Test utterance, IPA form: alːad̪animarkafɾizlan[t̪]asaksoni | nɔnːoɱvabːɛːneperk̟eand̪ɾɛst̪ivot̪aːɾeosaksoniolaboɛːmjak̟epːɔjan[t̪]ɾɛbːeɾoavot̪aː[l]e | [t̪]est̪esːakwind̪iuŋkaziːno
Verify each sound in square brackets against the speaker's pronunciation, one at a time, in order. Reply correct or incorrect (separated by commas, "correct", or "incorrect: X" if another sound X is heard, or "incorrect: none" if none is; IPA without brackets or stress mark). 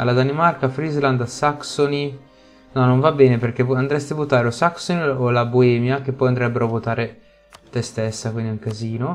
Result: incorrect: d̪, incorrect: d̪, incorrect: ɾ, correct